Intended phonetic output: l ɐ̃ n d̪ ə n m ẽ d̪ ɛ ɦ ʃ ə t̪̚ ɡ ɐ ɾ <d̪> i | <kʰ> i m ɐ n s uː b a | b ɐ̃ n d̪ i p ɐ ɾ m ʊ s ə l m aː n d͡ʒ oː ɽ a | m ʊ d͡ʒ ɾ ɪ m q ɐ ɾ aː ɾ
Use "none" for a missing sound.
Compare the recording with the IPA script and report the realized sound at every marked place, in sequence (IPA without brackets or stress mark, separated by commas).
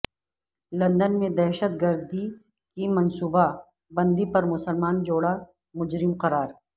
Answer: d̪, k